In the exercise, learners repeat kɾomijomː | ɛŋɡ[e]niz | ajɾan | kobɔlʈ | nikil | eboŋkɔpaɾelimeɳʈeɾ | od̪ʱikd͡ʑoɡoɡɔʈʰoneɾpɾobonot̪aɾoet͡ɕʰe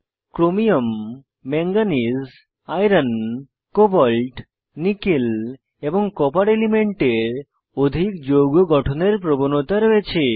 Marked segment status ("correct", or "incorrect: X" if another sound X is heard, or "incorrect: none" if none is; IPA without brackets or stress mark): incorrect: a